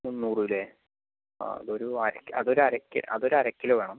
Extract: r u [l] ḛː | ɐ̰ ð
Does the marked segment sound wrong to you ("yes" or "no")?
no